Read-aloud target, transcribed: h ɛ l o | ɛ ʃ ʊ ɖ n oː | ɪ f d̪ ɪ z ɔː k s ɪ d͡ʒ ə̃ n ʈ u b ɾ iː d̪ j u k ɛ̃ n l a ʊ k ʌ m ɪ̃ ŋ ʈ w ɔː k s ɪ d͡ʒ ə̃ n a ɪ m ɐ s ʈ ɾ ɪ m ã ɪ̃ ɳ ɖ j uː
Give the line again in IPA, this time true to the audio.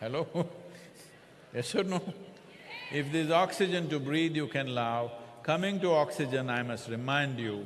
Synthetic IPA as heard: h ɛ l o | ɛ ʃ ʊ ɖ n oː | ɪ f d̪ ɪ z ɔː k s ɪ d͡ʒ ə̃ n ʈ u b ɾ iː d̪ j u k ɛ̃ n l a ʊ k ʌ m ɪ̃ ŋ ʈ u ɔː k s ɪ d͡ʒ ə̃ n a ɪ m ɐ s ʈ ɾ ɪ m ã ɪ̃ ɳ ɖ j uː

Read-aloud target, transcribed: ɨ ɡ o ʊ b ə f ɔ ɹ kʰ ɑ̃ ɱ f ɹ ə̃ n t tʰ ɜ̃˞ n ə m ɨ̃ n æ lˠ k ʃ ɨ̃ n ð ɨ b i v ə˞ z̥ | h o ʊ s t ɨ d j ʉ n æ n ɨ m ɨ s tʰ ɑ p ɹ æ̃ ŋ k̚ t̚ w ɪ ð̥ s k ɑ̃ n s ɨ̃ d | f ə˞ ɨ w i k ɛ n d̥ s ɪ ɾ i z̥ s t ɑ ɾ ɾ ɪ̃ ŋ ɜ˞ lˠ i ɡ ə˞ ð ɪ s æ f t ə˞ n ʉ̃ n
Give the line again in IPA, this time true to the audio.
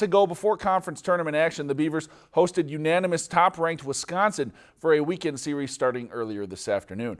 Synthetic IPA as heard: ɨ ɡ o ʊ b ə f ɔ ɹ kʰ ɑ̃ ɱ f ɹ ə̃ n s tʰ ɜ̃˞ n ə m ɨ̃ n æ k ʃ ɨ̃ n ð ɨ b i v ə˞ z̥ | h o ʊ s t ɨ d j ʉ n æ n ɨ m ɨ s tʰ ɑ p ɹ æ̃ ŋ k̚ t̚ w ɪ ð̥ s k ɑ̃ n s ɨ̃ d | f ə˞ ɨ w i k ɛ̃ n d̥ s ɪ ɹ i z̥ s t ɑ ɹ ɾ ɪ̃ ŋ ɜ˞ lˠ i ə˞ ð ɪ s æ f t ə˞ n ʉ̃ n

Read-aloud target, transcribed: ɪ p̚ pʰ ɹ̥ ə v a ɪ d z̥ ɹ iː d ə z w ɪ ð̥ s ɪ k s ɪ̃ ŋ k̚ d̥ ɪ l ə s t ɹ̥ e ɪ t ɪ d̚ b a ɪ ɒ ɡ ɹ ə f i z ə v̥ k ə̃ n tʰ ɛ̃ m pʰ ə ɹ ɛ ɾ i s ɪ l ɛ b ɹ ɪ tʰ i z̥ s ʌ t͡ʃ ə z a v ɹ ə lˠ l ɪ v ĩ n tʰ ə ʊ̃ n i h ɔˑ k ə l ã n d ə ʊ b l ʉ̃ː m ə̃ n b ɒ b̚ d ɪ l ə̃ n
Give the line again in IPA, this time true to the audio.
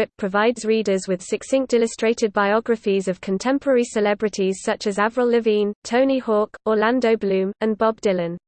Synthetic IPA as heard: ɪ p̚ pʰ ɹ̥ ə v a ɪ d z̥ ɹ iː d ə z w ɪ ð̥ s ɪ k s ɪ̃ ŋ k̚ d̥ ɪ l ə s t ɹ̥ e ɪ t ɪ d̚ b a ɪ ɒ ɡ ɹ ə f i z ə v̥ kʰ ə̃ n tʰ ɛ̃ m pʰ ə ɹ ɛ ɹ i s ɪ l ɛ b ɹ ɪ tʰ i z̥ s ʌ t͡ʃ ə z a v ɹ ə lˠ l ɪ v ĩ n tʰ ə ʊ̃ n i h ɔˑ k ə l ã n d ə ʊ b l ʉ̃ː m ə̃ n b ɒ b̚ d ɪ l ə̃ n

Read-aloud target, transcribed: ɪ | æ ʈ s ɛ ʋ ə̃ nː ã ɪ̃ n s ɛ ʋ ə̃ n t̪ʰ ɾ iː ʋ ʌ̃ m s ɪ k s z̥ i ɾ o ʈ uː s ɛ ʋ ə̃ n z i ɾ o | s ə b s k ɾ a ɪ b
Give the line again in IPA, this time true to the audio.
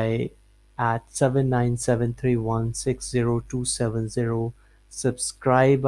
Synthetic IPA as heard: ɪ | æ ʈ s ɛ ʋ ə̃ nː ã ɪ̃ n s ɛ ʋ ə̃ n t̪ʰ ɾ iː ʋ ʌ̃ n s ɪ k s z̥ i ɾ o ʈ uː s ɛ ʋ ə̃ n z i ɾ o | s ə b s k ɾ a ɪ b

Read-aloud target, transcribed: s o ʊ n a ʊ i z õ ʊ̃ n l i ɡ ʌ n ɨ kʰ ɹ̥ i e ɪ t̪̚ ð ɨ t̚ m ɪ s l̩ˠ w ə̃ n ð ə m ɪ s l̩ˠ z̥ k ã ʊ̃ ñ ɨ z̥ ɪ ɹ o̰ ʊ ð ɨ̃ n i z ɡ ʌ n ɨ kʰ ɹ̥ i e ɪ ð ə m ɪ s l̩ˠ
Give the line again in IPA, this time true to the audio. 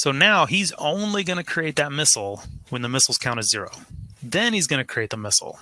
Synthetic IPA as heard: s o ʊ n a ʊ i z õ ʊ̃ n l i ɡ ʌ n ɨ kʰ ɹ̥ i e ɪ t̪̚ ð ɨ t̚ m ɪ s l̩ˠ w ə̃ n ð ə m ɪ s l̩ˠ z̥ kʰ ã ʊ̃ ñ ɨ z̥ ɪ ɹ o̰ ʊ ð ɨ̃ n i z ɡ ʌ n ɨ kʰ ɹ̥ i e ɪ ð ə m ɪ s l̩ˠ

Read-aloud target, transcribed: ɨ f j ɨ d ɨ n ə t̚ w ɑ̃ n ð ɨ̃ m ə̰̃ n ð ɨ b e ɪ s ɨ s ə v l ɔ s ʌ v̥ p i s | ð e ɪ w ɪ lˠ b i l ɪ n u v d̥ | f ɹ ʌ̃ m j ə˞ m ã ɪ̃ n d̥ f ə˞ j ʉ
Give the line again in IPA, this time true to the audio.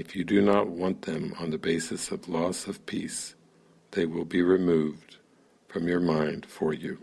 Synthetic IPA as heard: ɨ f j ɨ d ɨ n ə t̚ w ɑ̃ n ð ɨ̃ m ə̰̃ n ð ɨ b e ɪ s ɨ s ʌ v l ɔ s ʌ v̥ pʰ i s | ð e ɪ w ɪ lˠ b i ɹ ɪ m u v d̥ | f ɹ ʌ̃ m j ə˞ m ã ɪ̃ n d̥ f ə˞ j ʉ

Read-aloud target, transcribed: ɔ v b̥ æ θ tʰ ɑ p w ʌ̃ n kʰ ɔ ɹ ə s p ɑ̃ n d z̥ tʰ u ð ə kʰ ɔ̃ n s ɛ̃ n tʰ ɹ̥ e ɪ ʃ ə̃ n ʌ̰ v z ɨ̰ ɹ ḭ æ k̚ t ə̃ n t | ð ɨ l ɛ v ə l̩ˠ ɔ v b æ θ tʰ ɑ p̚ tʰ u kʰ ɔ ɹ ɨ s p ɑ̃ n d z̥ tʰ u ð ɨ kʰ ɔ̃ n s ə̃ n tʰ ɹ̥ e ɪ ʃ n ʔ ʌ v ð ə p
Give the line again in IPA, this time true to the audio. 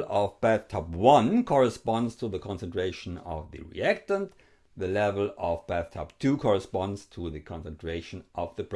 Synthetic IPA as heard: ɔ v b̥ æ θ tʰ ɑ p w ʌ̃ n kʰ ɔ ɹ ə s p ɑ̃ n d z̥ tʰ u ð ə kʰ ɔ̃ n s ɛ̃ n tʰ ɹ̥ e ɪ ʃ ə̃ n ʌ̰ v ð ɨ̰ ɹ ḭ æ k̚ t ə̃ n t | ð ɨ l ɛ v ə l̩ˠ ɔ v b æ θ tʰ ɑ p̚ tʰ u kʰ ɔ ɹ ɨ s p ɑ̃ n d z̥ tʰ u ð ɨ kʰ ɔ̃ n s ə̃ n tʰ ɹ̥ e ɪ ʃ n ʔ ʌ v ð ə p

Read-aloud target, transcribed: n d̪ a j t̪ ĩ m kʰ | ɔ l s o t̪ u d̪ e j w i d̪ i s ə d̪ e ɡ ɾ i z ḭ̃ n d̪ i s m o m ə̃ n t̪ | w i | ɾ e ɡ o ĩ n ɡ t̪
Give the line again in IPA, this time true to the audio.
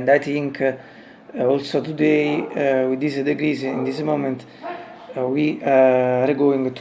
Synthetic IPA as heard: n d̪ a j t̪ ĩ ŋ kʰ | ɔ l s o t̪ u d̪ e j w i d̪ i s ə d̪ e ɡ ɾ i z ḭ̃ n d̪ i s m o m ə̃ n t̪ | w i | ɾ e ɡ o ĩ ŋ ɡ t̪

